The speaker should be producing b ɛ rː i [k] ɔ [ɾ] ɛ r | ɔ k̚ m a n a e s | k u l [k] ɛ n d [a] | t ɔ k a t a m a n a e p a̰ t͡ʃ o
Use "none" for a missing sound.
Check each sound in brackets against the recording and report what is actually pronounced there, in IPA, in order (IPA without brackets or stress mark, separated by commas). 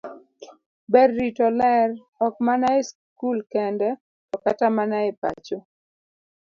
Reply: t, l, k, ɛ